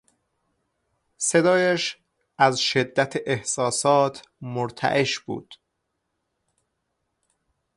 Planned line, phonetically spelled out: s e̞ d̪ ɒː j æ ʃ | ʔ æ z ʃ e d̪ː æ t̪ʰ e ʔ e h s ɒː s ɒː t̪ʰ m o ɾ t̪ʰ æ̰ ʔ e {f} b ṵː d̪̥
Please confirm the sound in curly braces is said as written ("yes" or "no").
no